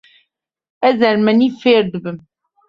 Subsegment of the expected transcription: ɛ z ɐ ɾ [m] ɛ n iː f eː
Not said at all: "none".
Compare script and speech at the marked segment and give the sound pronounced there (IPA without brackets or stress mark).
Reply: m